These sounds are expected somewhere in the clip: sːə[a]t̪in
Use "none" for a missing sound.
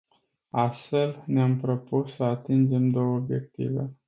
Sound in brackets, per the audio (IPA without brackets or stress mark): a